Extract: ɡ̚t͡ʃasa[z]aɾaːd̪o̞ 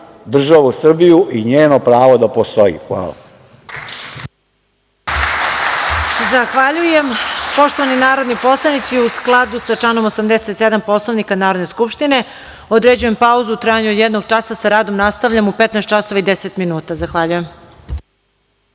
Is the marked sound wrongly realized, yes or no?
yes